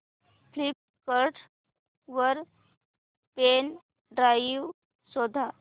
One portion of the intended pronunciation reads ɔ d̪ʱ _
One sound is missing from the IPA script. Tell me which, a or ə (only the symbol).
a